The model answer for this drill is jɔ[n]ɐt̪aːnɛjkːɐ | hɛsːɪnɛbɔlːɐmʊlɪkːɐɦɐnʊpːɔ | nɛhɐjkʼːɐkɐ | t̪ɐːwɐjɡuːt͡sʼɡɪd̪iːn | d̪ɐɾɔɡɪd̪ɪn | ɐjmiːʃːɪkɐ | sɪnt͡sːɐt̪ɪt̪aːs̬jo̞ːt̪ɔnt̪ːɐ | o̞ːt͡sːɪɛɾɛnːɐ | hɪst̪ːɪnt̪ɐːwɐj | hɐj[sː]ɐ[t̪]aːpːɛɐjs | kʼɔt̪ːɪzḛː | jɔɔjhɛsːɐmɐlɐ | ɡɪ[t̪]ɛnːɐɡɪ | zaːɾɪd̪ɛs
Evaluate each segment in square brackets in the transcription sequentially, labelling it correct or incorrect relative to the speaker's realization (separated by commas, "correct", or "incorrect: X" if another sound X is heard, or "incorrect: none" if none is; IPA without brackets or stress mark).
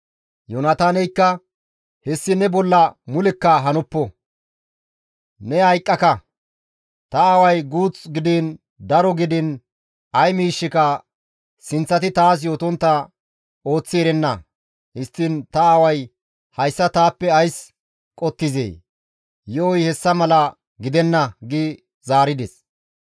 correct, correct, correct, incorrect: d̪